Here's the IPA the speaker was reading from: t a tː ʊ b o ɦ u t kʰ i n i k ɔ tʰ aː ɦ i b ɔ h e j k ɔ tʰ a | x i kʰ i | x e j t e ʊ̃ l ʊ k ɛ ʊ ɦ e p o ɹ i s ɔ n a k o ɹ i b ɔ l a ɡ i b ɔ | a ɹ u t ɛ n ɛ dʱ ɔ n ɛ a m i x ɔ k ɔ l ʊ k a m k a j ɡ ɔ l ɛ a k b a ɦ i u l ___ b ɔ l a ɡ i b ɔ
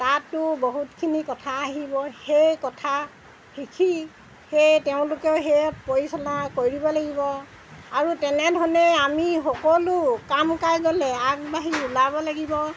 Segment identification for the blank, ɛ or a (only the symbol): a